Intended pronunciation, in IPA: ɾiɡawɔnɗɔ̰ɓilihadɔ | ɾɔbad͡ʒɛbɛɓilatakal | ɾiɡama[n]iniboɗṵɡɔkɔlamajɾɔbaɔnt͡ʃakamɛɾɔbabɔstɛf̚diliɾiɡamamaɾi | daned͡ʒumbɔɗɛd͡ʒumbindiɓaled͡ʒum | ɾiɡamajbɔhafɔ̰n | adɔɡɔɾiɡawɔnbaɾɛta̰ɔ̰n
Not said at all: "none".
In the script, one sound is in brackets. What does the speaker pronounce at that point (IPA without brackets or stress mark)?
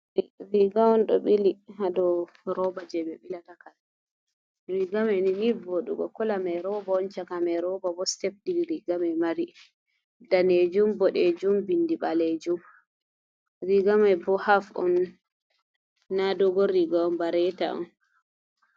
n